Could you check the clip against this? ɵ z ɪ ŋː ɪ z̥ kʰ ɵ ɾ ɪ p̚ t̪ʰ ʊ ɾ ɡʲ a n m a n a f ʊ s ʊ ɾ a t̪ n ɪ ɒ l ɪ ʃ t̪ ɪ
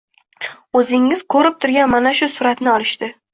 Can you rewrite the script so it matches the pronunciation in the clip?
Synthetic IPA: ɵ z ɪ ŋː ɪ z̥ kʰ ɵ ɾ ɪ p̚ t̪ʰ ʊ ɾ ɡʲ a n m a n a ʃ ʊ s ʊ ɾ a t̪ n ɪ ɒ l ɪ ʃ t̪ ɪ

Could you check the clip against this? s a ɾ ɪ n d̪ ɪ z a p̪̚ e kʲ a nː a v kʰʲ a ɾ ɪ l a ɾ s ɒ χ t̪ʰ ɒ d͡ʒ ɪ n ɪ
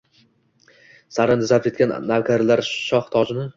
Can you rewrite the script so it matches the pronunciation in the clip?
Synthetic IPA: s a ɾ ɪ n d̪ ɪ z a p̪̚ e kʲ a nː a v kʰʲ a ɾ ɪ l a ɾ ʃ ɒ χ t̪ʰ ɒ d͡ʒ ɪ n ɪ

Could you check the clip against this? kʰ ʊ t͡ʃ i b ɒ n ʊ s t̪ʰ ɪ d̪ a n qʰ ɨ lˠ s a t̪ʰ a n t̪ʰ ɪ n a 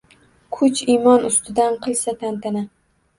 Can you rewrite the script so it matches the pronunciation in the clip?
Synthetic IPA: kʰ ʊ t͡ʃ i m ɒ n ʊ s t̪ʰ ɪ d̪ a n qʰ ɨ lˠ s a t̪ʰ a n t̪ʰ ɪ n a

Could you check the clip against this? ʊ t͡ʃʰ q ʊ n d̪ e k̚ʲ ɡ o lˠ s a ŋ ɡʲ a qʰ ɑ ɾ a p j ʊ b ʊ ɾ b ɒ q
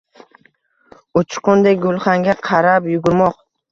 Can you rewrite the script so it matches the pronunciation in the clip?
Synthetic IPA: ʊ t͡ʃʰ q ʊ n d̪ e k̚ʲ ɡ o lˠ χ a ŋ ɡʲ a qʰ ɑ ɾ a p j ʊ ɡ ʊ ɾ m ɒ q

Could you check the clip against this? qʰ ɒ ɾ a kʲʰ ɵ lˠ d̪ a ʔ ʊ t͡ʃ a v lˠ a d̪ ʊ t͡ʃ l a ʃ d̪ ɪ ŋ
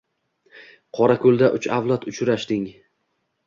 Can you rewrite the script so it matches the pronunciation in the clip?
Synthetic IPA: qʰ ɒ ɾ a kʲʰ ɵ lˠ d̪ a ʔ ʊ t͡ʃ a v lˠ a t̪ ʊ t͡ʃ ɾ a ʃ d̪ ɪ ŋ

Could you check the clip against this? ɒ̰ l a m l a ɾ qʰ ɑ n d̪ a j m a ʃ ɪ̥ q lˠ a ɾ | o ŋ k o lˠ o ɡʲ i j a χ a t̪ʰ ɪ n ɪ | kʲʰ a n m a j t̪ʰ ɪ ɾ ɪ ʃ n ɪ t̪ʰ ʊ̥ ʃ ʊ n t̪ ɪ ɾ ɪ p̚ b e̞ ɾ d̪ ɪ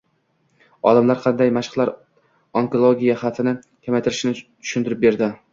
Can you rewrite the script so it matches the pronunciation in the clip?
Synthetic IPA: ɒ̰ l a m l a ɾ qʰ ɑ n d̪ a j m a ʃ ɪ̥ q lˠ a ɾ | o ŋ k o lˠ o ɡʲ i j a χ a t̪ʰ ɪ n ɪ | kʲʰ a m a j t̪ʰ ɪ ɾ ɪ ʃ n ɪ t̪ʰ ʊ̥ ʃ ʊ n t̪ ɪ ɾ ɪ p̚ b e̞ ɾ d̪ ɪ

